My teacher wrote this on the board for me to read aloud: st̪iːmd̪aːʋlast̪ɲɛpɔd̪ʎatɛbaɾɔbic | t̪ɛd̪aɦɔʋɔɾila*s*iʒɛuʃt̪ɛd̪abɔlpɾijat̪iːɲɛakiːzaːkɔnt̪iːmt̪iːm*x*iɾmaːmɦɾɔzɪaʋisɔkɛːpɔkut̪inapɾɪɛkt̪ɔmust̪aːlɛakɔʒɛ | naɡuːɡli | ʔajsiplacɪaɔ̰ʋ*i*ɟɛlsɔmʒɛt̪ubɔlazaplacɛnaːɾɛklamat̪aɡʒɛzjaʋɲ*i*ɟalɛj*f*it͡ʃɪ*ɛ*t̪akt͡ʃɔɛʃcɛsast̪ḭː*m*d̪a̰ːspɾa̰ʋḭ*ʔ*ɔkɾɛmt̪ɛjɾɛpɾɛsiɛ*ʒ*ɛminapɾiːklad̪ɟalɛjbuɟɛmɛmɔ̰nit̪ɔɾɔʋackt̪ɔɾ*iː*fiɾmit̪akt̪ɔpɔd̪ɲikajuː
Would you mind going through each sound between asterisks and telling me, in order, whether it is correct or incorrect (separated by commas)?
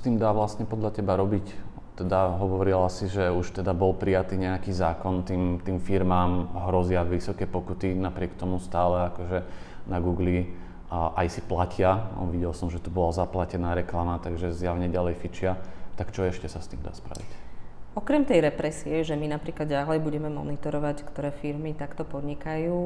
correct, incorrect, correct, incorrect, correct, incorrect, correct, incorrect, correct, incorrect